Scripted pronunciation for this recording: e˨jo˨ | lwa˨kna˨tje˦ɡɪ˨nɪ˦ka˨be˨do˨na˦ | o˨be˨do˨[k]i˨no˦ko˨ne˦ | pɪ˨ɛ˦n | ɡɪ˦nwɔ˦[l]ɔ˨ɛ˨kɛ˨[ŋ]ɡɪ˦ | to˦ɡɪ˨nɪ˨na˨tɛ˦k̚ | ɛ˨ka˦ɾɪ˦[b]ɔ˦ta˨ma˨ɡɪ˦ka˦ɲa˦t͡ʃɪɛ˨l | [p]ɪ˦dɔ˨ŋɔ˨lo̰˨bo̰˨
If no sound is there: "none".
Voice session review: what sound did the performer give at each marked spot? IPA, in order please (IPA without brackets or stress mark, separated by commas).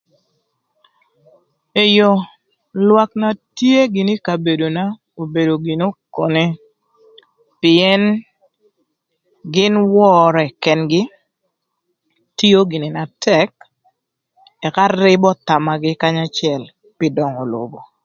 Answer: ɡ, ɾ, n, b, p